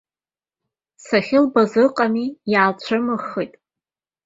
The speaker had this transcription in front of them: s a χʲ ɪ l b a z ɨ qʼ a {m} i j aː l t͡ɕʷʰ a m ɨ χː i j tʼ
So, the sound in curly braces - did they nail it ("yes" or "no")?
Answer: yes